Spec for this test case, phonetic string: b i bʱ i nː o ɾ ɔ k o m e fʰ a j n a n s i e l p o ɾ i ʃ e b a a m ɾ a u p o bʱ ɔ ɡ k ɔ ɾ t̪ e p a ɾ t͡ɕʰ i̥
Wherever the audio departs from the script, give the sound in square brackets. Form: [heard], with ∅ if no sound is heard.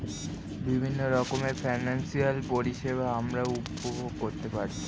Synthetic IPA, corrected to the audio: b i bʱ i nː o ɾ ɔ k o m e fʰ a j n a n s i [a] l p o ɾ i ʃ e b a a m ɾ a u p o bʱ [o] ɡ k [o] ɾ t̪ e p a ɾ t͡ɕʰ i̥